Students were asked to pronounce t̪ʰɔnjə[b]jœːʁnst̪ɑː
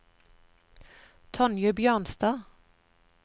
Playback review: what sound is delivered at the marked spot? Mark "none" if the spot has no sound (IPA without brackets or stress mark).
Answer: b